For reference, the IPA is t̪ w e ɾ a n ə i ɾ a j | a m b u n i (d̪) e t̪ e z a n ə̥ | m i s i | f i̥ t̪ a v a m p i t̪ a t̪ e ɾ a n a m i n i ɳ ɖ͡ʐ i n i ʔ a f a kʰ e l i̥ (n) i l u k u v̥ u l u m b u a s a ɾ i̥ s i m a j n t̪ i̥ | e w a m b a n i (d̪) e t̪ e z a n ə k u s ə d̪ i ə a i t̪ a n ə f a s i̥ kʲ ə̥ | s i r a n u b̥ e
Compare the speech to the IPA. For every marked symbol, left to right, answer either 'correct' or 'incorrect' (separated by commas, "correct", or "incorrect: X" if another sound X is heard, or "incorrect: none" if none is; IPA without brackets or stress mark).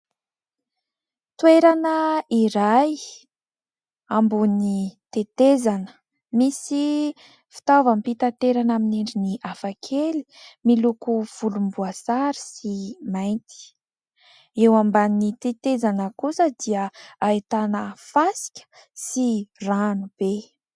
incorrect: t̪, incorrect: m, incorrect: t̪